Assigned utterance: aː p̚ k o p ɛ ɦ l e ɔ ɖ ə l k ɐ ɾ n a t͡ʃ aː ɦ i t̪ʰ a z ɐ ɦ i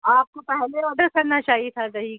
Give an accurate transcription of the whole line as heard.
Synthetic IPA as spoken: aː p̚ k o p ɛ ɦ l e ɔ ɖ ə ɾ k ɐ ɾ n a t͡ʃ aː ɦ i t̪ʰ a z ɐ ɦ i